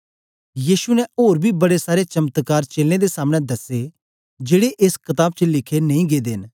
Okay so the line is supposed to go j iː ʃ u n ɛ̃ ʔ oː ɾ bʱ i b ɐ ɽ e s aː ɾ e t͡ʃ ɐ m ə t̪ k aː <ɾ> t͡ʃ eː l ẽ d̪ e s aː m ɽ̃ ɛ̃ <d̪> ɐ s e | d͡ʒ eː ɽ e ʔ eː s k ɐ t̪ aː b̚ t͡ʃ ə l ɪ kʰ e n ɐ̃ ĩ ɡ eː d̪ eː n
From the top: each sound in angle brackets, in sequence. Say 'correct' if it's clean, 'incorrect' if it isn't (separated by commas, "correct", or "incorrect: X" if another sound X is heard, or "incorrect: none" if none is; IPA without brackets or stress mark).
correct, correct